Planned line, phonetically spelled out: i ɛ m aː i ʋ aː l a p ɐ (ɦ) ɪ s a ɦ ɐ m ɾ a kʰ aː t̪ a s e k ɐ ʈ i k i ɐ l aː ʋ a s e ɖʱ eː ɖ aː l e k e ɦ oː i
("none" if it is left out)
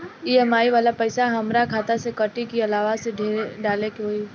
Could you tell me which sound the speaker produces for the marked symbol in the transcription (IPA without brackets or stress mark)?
none